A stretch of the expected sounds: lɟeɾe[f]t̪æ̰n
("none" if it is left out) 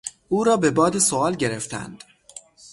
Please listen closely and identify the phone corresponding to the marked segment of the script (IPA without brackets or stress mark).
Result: f